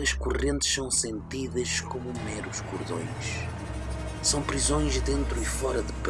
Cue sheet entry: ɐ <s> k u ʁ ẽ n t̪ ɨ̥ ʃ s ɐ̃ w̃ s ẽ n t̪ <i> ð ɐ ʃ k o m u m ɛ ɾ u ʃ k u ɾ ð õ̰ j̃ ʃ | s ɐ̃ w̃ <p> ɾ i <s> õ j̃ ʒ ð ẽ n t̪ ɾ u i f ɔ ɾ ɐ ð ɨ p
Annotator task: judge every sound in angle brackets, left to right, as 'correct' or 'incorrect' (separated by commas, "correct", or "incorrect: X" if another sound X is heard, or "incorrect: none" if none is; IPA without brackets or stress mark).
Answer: incorrect: ʃ, correct, correct, incorrect: z